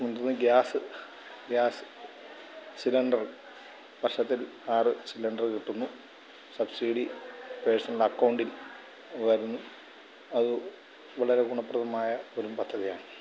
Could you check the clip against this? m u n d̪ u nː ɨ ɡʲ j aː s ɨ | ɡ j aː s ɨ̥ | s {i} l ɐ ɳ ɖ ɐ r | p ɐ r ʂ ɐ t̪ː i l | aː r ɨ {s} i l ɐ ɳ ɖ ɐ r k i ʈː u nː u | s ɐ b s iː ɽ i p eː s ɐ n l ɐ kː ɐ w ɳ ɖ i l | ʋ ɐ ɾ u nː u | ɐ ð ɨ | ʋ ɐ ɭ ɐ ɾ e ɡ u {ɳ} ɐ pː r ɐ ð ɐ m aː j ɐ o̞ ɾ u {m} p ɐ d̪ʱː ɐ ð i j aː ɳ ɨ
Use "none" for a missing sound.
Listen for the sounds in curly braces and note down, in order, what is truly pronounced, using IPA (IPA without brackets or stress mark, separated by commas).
i, s, ɳ, m